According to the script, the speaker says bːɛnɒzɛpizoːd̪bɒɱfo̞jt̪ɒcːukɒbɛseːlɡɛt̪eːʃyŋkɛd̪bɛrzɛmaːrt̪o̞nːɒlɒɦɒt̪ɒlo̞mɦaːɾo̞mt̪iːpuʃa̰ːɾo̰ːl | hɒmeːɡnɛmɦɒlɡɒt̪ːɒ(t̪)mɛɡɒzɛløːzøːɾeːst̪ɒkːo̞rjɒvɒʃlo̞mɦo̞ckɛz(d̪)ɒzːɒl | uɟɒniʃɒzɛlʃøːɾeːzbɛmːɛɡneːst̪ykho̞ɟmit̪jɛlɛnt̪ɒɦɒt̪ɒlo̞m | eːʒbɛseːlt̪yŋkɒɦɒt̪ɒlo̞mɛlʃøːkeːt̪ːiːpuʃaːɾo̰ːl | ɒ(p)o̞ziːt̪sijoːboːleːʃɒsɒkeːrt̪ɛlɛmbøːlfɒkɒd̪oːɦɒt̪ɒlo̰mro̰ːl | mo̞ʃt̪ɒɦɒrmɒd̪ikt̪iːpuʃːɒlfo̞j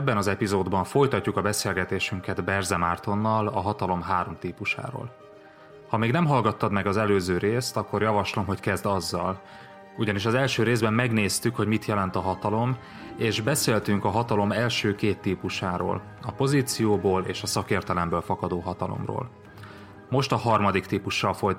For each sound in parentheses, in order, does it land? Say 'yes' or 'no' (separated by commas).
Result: no, yes, yes